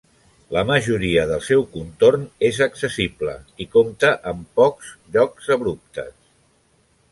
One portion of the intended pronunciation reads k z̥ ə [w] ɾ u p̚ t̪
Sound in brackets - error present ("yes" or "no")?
yes